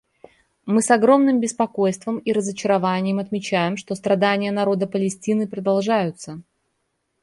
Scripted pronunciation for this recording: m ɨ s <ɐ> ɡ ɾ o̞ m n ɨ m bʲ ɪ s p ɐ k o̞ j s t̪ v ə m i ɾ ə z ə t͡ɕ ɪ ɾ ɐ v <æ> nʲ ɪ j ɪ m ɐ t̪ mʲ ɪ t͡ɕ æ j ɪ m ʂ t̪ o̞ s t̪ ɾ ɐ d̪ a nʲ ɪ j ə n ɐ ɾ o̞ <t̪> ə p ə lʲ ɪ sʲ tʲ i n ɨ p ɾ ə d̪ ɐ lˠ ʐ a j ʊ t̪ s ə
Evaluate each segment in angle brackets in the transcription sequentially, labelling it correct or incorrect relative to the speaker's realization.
correct, incorrect, incorrect

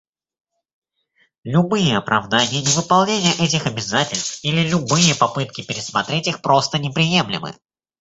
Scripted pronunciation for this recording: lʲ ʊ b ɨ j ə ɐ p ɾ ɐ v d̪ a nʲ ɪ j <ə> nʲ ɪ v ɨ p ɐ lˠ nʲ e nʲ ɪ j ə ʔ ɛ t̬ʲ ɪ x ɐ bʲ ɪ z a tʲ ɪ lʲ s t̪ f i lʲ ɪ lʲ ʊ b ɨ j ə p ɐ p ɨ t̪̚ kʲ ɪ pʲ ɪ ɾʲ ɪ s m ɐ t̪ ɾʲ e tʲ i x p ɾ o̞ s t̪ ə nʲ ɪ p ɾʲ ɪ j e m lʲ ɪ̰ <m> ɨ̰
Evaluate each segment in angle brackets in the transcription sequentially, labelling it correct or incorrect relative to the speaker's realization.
correct, correct

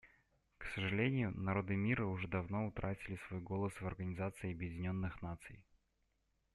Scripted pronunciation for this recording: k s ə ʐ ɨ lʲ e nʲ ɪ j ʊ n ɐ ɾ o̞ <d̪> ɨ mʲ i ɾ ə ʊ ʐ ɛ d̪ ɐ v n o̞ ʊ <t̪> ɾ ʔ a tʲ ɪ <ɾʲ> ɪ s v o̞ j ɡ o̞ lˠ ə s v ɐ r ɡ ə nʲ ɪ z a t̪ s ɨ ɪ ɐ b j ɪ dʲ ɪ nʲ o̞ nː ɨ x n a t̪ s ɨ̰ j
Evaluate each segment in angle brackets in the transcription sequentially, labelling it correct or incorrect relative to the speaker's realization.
correct, correct, incorrect

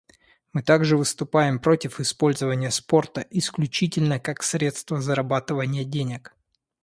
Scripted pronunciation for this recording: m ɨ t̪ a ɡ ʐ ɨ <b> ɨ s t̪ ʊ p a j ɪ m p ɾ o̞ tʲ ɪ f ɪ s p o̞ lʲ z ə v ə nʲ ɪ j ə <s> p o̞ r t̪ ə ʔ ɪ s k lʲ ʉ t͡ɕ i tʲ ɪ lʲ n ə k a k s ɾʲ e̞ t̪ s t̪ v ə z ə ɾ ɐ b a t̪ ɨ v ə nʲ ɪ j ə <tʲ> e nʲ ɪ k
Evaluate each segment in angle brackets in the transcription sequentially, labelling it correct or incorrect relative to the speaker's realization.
incorrect, correct, incorrect

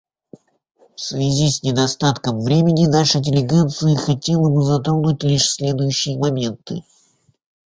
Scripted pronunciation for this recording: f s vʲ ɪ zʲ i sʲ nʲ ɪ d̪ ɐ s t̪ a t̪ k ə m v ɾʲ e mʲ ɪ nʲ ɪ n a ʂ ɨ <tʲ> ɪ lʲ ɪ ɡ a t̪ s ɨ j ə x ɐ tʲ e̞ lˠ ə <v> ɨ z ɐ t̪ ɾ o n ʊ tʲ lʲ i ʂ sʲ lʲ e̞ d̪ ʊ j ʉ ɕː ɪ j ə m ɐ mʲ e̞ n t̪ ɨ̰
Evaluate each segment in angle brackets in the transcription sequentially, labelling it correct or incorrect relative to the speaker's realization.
incorrect, incorrect

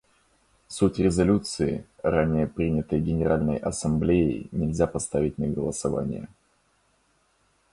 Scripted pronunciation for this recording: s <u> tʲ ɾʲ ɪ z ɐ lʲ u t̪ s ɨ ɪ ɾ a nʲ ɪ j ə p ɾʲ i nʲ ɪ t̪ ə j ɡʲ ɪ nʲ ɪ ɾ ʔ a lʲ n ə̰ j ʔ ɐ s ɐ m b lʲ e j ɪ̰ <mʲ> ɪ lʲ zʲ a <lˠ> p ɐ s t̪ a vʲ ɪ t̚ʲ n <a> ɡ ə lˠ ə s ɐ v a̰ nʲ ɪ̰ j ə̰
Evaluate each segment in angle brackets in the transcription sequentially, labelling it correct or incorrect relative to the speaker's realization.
correct, incorrect, incorrect, incorrect

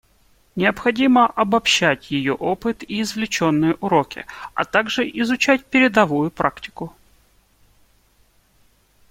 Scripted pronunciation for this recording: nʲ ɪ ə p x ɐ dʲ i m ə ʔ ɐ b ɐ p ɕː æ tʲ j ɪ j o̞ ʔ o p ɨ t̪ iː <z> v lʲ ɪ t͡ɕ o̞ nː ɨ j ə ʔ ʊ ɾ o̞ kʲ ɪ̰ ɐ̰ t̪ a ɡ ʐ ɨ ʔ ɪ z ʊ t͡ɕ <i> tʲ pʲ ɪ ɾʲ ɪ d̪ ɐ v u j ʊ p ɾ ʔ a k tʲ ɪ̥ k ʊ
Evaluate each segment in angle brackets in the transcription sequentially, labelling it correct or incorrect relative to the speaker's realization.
correct, incorrect

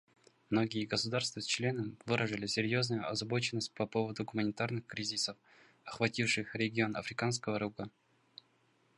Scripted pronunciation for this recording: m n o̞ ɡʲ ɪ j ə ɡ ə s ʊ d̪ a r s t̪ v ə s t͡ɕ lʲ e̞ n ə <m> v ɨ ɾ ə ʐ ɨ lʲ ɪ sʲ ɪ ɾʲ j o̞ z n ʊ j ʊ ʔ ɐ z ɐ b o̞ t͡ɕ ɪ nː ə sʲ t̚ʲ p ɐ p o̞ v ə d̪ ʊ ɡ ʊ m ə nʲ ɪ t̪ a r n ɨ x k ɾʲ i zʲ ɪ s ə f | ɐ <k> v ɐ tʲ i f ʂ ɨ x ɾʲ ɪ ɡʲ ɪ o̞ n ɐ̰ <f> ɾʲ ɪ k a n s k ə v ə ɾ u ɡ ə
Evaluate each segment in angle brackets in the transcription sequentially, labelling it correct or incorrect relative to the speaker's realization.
correct, incorrect, correct

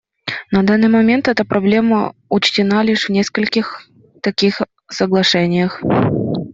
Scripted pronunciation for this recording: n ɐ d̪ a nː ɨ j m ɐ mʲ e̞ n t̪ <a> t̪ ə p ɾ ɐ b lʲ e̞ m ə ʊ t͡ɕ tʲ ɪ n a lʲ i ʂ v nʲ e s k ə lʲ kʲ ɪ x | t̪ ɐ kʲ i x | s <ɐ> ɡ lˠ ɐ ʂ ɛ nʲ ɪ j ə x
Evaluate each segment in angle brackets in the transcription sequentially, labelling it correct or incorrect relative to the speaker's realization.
incorrect, incorrect

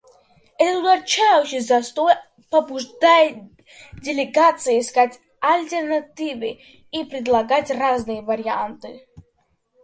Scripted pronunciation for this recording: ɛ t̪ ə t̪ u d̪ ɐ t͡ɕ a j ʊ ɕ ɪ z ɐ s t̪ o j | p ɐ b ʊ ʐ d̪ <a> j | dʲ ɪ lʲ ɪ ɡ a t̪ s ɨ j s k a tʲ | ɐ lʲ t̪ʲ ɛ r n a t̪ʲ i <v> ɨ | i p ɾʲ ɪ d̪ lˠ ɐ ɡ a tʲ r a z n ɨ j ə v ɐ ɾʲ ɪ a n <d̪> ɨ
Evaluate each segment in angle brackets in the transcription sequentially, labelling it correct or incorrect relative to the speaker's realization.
correct, correct, incorrect

